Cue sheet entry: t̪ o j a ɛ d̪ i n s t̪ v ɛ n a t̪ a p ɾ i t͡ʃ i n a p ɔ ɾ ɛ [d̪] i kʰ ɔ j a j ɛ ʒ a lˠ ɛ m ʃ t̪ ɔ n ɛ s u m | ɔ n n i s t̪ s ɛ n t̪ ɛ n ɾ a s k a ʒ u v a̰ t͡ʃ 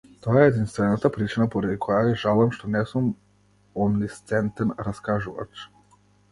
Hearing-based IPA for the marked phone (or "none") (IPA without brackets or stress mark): d̪